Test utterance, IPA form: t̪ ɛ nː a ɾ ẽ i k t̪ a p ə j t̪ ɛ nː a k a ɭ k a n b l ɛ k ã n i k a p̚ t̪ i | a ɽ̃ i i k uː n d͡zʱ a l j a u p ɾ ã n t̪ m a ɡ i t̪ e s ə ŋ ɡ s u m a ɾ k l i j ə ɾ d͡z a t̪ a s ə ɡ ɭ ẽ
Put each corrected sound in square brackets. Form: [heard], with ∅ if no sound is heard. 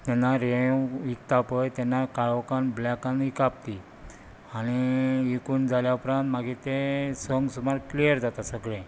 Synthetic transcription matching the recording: t̪ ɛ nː a ɾ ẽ i k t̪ a p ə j t̪ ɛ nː a k a ɭ k a n b l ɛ k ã n i k a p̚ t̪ i | a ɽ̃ i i k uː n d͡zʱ a l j a u p ɾ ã n t̪ m a ɡ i t̪ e s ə ŋ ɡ s u m a ɾ k l i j ə ɾ d͡z a t̪ a s ə ɡ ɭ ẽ